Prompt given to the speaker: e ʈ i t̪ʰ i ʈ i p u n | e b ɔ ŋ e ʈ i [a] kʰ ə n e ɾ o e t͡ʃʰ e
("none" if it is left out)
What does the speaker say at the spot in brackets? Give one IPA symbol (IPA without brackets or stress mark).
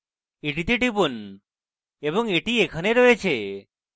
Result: e